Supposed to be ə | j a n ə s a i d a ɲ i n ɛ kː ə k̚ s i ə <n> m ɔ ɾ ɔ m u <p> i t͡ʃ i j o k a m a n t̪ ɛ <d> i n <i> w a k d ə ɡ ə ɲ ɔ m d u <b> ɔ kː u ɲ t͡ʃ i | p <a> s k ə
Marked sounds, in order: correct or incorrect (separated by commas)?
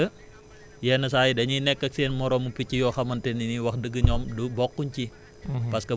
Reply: correct, correct, incorrect, correct, correct, correct